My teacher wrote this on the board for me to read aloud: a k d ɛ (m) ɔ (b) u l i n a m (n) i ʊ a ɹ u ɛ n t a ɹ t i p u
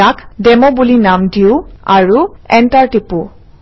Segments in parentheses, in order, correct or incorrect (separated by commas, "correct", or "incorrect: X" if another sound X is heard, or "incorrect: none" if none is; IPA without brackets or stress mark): correct, correct, incorrect: d